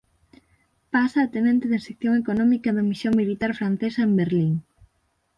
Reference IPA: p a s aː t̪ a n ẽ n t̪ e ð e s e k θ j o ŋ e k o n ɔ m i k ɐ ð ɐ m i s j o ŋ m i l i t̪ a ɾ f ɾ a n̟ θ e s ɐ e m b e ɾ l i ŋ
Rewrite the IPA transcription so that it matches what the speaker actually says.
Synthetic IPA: p a s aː t̪ e n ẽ n t̪ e ð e s e k θ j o ŋ e k o n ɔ m i k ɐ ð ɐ m i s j o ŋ m i l i t̪ a ɾ f ɾ a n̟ θ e s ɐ e m b e ɾ l i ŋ